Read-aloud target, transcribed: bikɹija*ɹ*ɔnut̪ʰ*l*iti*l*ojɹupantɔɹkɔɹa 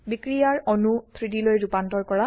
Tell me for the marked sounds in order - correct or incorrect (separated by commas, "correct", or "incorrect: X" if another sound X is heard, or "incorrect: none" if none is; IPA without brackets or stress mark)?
correct, incorrect: ɹ, correct